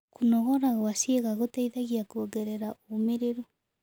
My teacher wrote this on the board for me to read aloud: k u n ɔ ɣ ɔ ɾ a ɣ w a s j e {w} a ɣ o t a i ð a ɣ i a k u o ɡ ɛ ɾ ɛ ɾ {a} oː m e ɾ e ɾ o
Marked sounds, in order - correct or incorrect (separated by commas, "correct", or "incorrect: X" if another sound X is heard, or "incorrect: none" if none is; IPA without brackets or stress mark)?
incorrect: ɣ, correct